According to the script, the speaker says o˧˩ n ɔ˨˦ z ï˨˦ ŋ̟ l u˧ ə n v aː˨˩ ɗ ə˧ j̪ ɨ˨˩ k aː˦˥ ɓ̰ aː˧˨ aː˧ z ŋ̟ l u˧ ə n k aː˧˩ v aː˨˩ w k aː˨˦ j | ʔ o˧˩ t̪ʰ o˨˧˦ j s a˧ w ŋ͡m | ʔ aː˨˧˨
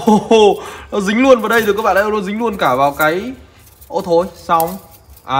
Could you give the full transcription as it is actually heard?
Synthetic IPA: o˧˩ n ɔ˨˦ z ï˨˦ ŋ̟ l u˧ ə n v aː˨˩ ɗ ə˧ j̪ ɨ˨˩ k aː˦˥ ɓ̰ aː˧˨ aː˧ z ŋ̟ l u˧ ə n k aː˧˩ v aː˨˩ w k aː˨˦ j | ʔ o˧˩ t̪ʰ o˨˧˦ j s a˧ w ŋ͡m | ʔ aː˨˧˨